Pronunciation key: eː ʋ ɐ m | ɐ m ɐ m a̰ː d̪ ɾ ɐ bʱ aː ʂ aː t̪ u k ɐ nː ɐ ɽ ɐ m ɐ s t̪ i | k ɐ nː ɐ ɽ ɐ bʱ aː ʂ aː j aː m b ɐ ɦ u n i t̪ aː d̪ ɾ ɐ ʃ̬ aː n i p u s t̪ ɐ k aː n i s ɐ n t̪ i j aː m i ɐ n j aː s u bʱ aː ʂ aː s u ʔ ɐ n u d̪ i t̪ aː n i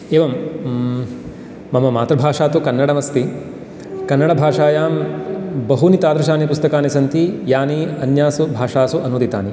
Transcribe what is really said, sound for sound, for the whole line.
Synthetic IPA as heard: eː ʋ ɐ m | ɐ m ɐ m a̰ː t̪ ɾ ɐ bʱ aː ʂ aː t̪ u k ɐ nː ɐ ɽ ɐ m ɐ s t̪ i | k ɐ nː ɐ ɽ ɐ bʱ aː ʂ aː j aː m b ɐ ɦ u n i t̪ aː d̪ ɾ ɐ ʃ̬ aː n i p u s t̪ ɐ k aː n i s ɐ n t̪ i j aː n i ɐ n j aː s u bʱ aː ʂ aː s u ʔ ɐ n u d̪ i t̪ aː n i